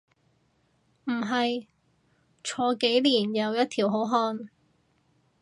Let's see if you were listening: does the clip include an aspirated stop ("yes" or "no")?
yes